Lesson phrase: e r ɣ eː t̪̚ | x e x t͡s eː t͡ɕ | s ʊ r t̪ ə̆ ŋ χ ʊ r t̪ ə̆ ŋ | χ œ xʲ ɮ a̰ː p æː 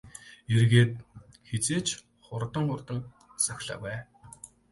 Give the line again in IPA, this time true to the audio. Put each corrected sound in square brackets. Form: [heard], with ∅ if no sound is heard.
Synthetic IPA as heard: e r ɣ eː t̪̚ | x e [∅] t͡s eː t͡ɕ | [χ] ʊ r t̪ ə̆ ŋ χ ʊ r t̪ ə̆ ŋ | [s] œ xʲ ɮ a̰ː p æː